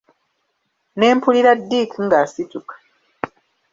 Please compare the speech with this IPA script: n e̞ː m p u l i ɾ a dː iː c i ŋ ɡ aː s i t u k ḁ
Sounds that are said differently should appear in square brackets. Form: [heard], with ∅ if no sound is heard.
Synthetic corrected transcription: n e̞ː m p u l i ɾ a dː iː [k] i ŋ ɡ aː s i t u k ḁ